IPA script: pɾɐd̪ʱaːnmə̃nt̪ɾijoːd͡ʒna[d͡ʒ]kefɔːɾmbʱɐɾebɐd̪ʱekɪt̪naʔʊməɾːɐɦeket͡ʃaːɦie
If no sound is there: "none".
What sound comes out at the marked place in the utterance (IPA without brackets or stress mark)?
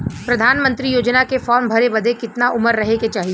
none